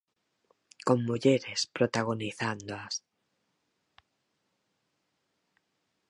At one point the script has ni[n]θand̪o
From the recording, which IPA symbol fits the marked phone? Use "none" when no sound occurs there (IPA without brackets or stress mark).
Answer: none